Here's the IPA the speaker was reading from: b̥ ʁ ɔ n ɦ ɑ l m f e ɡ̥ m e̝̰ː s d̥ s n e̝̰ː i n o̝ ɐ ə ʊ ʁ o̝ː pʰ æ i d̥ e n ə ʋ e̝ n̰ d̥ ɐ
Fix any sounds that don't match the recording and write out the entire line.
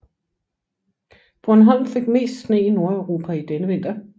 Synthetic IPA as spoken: b̥ ʁ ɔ n ɦ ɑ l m f e ɡ̥ m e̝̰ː s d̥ s n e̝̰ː i n o̝ ɐ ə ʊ ʁ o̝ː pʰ æ i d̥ e n ə ʋ e̝ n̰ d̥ ɐ